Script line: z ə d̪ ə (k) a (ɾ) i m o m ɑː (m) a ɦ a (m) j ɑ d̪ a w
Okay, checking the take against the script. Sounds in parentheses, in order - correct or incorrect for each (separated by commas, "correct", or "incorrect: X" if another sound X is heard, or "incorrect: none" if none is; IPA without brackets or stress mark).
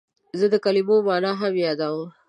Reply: correct, incorrect: l, incorrect: n, correct